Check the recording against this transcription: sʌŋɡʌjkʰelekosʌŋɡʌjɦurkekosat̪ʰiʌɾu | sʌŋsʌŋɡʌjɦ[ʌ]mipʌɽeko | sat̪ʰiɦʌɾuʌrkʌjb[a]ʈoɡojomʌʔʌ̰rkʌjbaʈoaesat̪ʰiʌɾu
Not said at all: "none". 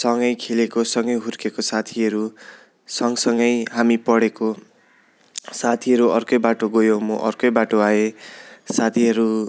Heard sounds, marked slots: a, a

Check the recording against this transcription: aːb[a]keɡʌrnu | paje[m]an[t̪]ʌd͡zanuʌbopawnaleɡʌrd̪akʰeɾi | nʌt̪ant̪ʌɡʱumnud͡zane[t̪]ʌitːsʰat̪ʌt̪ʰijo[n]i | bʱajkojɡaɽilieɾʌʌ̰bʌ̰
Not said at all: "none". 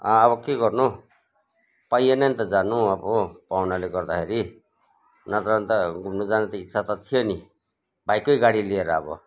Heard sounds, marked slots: ʌ, n, t̪, t̪, n

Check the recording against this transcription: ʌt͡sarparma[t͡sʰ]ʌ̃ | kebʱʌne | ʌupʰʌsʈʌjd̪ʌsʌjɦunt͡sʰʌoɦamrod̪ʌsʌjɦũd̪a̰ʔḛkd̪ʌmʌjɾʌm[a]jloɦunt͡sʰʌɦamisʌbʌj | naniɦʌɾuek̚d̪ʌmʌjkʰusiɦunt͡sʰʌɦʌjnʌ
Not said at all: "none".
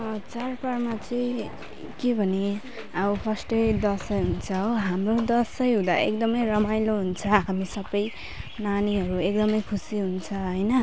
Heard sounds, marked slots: t͡s, a

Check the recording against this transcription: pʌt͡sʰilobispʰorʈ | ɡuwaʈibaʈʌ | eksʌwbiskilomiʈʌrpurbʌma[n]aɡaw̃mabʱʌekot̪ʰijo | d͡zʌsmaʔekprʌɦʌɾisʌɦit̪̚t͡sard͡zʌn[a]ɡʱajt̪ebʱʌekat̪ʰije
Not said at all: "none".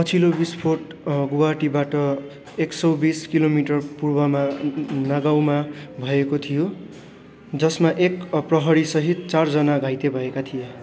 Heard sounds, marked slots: n, a

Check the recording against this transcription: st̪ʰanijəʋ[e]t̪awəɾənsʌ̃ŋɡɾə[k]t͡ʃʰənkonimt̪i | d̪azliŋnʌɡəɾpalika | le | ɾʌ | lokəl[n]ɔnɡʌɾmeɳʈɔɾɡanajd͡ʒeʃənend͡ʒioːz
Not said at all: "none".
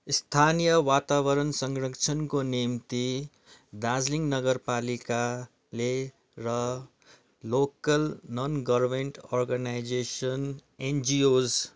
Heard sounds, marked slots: a, k, n

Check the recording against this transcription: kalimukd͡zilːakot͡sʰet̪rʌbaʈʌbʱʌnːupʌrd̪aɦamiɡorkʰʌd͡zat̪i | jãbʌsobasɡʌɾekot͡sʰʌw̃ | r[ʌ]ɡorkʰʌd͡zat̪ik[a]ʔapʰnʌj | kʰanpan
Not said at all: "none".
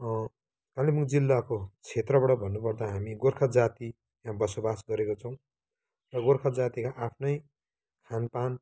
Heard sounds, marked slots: ʌ, a

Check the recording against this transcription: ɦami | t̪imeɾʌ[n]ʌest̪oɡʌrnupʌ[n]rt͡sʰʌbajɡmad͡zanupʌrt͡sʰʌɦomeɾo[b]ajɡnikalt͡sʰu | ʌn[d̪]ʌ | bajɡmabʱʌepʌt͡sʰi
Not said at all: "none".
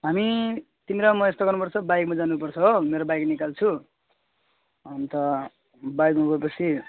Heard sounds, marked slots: m, none, b, t̪

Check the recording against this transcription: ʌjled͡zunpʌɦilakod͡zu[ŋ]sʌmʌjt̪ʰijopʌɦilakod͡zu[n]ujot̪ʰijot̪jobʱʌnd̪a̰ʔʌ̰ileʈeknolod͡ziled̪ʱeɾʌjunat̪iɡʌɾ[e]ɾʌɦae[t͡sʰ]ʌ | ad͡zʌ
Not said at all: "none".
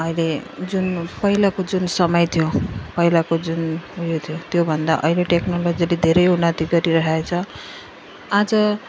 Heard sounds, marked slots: n, n, i, t͡sʰ

